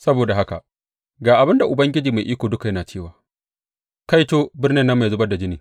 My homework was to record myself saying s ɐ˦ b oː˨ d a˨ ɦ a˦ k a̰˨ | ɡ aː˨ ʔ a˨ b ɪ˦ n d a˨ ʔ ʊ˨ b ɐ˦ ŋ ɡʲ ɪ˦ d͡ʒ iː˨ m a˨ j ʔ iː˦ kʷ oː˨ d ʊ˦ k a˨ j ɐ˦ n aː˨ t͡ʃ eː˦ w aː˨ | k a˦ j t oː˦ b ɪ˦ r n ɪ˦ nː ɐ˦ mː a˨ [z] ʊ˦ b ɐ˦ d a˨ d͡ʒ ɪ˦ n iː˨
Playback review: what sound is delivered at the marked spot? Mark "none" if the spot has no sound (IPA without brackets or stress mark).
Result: z